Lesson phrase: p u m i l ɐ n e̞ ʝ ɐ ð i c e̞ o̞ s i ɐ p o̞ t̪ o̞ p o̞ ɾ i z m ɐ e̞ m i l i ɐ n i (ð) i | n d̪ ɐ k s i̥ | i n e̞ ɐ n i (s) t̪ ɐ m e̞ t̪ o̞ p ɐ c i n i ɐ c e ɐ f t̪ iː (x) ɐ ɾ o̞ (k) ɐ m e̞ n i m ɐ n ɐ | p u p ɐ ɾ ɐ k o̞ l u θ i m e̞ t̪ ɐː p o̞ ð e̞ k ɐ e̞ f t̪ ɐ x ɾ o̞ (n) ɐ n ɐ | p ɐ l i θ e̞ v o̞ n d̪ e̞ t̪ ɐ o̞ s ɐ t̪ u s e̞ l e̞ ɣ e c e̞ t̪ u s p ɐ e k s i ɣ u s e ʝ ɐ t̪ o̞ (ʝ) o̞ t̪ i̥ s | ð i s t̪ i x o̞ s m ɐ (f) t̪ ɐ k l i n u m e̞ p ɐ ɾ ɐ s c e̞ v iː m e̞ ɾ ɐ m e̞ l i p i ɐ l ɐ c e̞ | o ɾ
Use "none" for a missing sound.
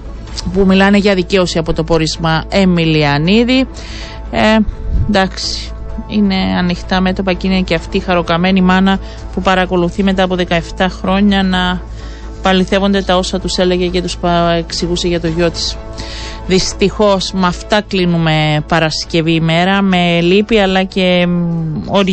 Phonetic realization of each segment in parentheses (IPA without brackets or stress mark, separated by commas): ð, x, x, k, ɲ, ʝ, f